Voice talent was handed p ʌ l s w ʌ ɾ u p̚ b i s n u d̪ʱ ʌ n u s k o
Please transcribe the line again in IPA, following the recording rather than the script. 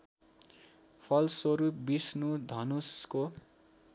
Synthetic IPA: pʰ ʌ l s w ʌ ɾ u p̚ b i s n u d̪ʱ ʌ n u s k o